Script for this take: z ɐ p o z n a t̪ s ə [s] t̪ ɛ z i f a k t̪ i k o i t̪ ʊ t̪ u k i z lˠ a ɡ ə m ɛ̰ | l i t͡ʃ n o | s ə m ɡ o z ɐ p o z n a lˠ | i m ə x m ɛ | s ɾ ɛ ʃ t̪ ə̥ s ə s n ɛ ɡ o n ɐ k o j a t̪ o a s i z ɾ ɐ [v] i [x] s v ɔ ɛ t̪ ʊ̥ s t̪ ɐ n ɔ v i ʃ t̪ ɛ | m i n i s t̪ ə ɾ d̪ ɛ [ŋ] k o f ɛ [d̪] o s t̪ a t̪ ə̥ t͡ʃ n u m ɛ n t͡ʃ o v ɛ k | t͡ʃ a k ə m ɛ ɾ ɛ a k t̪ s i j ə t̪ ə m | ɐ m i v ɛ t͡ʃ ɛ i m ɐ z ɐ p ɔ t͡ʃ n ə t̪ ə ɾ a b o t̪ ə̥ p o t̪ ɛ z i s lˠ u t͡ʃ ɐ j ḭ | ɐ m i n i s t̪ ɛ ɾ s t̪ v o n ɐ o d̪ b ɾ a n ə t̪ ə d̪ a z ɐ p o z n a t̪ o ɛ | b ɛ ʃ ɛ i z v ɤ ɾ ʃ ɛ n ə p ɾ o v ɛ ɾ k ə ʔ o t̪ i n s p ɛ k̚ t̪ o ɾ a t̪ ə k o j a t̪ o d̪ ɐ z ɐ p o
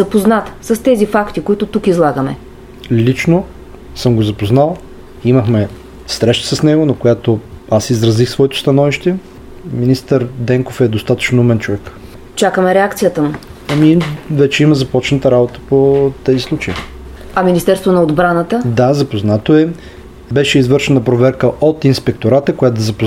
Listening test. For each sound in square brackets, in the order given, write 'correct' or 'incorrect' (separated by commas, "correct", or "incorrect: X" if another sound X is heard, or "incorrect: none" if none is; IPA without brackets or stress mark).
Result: correct, incorrect: z, correct, correct, correct